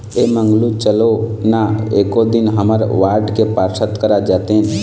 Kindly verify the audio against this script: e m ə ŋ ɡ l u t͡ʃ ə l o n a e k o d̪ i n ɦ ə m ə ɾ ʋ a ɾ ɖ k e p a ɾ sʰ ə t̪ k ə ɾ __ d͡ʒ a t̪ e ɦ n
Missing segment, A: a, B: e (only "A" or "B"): A